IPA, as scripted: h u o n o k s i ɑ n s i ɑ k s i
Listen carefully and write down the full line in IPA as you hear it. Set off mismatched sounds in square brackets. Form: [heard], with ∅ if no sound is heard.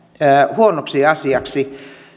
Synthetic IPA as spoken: h u o n o k s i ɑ [∅] s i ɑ k s i